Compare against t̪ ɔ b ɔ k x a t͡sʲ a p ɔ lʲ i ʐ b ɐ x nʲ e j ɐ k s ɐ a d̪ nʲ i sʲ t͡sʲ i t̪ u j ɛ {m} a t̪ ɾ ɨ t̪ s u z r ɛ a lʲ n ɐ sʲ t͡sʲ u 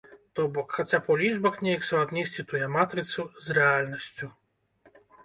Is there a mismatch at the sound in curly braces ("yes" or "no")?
no